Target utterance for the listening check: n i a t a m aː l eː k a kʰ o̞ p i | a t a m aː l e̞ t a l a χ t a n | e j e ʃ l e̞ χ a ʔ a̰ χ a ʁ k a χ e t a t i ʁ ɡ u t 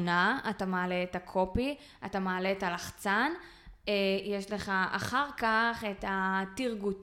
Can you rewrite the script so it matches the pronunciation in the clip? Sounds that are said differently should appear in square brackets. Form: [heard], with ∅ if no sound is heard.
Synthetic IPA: n [a] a t a m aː l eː [t] a kʰ o̞ p i | a t a m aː l e̞ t a l a χ [t͡s] a n | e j e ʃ l e̞ χ a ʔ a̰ χ a ʁ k a χ e t a t i ʁ ɡ u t